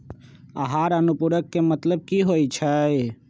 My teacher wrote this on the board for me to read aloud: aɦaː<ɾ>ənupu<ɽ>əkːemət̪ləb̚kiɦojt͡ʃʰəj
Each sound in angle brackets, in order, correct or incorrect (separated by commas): correct, incorrect